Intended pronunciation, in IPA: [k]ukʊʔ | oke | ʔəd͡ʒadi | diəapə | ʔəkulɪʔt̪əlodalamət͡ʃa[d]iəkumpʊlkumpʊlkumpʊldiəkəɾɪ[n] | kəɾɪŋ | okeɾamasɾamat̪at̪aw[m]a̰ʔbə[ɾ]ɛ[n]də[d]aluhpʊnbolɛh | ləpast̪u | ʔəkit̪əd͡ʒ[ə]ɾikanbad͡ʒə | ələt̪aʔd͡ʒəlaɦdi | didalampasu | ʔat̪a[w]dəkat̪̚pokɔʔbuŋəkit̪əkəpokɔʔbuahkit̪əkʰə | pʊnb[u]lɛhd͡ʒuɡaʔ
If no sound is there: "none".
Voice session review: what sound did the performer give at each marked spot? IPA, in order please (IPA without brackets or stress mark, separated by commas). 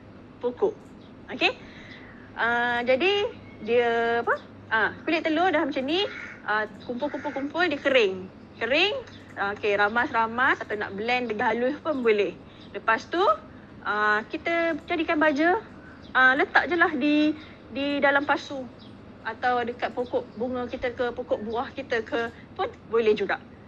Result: p, n, ŋ, n, l, n, ɡ, a, w, o